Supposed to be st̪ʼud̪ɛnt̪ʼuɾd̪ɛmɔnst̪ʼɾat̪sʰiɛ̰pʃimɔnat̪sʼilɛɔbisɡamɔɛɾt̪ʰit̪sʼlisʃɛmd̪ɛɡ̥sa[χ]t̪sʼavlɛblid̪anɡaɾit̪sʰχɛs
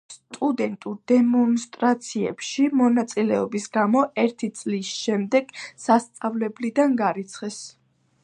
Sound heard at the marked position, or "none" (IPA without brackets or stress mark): s